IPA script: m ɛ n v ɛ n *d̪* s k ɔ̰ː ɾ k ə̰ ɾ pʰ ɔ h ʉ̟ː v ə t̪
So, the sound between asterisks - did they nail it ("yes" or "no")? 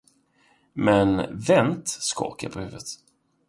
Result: no